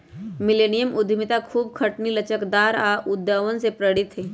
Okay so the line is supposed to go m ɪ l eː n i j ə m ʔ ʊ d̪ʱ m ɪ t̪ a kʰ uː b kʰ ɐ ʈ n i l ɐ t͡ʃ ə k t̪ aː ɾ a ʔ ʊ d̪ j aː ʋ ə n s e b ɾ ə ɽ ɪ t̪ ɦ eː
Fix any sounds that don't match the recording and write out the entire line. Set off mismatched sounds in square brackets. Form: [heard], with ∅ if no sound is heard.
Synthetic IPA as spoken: m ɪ l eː n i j ə m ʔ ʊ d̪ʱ m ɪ t̪ a kʰ uː b kʰ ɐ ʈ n i l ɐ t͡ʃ ə k [d̪] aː ɾ a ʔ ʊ d̪ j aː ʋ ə n s e [p] ɾ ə ɽ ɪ t̪ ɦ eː